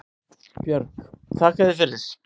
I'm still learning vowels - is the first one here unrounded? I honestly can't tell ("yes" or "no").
no